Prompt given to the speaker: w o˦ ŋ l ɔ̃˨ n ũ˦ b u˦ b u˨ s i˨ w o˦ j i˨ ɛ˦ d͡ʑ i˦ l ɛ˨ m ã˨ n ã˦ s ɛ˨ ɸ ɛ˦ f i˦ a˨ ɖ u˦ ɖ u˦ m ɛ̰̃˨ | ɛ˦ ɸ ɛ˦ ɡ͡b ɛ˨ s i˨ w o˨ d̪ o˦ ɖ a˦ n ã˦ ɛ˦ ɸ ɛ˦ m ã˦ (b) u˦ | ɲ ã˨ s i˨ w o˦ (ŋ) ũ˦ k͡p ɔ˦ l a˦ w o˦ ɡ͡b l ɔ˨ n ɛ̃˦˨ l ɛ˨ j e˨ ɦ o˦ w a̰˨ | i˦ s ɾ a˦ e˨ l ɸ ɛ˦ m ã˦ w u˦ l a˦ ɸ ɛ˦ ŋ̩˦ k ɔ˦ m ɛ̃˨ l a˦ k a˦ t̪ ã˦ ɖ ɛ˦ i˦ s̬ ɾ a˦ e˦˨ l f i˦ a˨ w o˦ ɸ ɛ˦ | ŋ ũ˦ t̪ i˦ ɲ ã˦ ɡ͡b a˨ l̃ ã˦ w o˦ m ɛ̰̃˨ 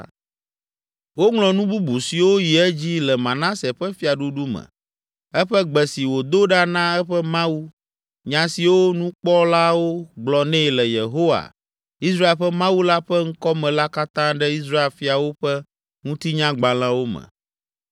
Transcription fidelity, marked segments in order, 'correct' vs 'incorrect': incorrect: w, incorrect: n

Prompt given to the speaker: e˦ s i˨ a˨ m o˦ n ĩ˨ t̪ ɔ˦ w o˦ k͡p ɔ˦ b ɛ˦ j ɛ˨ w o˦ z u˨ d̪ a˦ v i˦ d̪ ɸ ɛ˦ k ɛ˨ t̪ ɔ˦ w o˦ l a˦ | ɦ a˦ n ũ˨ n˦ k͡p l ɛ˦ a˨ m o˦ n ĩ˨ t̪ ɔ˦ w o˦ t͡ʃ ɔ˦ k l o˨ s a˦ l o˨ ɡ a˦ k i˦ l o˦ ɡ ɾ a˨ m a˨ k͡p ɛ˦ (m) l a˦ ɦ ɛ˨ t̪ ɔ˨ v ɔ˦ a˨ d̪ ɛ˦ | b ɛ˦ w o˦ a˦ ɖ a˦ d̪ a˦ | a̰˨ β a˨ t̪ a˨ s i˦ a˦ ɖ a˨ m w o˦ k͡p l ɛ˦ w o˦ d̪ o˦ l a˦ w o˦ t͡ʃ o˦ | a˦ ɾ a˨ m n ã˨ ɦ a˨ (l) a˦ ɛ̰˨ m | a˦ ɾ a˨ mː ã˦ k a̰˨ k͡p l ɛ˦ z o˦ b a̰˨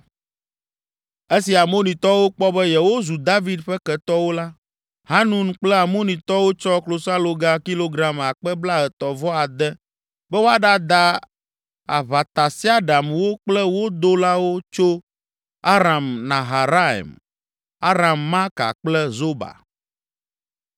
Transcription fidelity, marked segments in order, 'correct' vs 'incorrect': incorrect: b, incorrect: ɾ

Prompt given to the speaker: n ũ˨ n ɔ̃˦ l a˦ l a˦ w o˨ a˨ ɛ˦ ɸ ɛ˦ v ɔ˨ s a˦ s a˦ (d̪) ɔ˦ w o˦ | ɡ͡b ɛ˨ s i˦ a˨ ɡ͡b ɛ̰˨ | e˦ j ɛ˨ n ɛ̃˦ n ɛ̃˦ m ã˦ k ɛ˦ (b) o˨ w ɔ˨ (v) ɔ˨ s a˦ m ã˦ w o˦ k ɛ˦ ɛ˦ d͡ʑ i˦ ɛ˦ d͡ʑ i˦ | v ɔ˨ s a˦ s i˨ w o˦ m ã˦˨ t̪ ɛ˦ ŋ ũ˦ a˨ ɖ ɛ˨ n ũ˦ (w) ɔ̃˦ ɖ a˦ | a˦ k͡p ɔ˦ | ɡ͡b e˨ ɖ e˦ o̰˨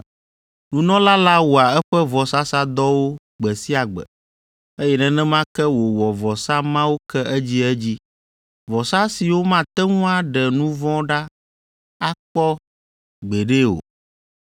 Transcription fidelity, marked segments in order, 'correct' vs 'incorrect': correct, incorrect: w, correct, incorrect: v

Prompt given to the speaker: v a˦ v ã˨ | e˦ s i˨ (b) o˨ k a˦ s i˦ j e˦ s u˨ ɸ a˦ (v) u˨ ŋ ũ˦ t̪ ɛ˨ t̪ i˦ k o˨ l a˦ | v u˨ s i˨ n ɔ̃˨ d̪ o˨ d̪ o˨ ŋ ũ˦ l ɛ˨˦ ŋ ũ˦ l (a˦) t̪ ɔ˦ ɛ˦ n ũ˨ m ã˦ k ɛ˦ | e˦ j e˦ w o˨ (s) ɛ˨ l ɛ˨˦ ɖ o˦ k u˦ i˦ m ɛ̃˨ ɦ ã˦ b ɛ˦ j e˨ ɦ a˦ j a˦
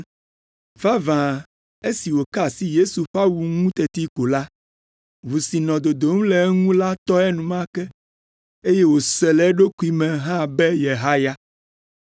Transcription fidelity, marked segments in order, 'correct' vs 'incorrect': incorrect: w, incorrect: w, correct, correct

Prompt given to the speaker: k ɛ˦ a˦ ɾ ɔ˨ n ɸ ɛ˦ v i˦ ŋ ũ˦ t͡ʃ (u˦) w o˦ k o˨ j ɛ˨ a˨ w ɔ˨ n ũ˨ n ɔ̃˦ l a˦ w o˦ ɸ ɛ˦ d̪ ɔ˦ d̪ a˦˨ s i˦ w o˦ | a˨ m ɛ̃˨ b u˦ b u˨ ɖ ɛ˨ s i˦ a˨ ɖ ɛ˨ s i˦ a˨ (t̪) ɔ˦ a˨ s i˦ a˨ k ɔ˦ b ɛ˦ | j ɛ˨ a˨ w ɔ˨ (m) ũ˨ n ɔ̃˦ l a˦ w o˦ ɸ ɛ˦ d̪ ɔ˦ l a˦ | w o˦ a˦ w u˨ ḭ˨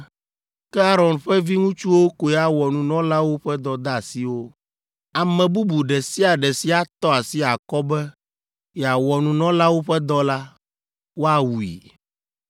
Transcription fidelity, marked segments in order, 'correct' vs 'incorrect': correct, correct, incorrect: n

